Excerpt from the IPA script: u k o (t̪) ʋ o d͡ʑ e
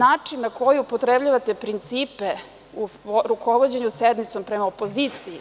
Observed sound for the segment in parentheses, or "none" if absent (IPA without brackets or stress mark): none